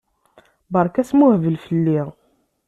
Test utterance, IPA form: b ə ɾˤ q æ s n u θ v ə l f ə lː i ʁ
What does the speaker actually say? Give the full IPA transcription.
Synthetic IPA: b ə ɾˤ k æ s m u h v ə l f ə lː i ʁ